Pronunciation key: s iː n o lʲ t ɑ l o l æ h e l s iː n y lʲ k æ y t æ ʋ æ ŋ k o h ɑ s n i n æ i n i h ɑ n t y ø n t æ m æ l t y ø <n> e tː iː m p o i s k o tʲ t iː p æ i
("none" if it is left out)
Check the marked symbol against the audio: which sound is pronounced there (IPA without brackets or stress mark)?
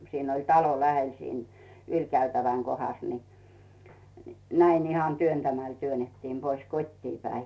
n